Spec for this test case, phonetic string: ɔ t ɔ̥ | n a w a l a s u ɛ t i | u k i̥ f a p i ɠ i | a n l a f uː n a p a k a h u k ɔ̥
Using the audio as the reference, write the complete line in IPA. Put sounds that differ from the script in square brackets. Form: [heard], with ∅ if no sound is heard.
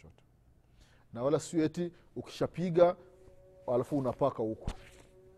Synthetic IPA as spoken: ɔ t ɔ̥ | n a w a l a s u ɛ t i | u k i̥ [ʃ] a p i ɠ [a] | a [∅] l a f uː n a p a k a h u k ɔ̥